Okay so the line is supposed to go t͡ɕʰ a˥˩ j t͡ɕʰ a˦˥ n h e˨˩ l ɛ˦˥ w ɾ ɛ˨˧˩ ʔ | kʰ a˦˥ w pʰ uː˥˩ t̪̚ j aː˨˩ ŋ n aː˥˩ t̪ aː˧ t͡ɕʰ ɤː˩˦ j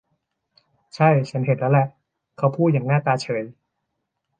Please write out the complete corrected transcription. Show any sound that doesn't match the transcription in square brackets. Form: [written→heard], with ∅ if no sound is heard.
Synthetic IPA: t͡ɕʰ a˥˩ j t͡ɕʰ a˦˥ n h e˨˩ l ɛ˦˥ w [ɾ→l] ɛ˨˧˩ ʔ | kʰ a˦˥ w pʰ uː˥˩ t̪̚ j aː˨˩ ŋ n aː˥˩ t̪ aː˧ t͡ɕʰ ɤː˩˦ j